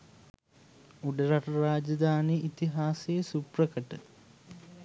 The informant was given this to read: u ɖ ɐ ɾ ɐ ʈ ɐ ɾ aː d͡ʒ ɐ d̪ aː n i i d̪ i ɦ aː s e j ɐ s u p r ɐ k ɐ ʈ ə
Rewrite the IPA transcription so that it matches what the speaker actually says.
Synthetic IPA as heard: u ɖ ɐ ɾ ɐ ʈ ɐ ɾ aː d͡ʒ ɐ d̪ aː n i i t̪ i ɦ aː s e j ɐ s u p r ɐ k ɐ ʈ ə